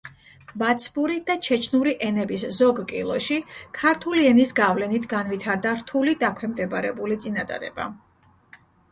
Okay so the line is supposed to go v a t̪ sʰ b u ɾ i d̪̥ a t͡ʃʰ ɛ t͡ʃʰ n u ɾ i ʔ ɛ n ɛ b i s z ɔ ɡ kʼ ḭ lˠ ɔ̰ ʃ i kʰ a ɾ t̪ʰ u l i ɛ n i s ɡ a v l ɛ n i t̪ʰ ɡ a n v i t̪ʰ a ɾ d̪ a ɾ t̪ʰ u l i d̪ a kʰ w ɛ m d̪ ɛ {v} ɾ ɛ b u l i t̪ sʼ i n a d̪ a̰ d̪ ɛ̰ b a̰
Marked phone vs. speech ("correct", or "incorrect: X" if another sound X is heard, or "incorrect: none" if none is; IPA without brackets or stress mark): incorrect: b